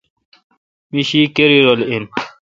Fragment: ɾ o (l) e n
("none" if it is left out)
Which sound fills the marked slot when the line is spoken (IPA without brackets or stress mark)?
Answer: l